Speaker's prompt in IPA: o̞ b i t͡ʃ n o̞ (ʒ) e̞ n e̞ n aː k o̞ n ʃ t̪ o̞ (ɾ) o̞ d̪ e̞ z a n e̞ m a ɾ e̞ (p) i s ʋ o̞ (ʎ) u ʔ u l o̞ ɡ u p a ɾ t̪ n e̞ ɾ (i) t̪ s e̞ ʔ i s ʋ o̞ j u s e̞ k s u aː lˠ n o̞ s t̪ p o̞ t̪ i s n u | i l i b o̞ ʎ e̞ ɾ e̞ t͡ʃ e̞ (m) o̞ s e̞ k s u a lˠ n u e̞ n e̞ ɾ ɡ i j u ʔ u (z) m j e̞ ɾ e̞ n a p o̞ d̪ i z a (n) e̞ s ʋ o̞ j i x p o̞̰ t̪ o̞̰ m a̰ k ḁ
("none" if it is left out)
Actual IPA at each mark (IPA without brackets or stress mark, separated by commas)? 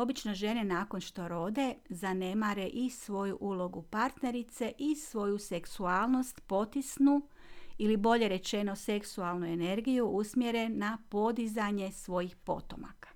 ʒ, ɾ, ʔ, j, i, n, s, ɲ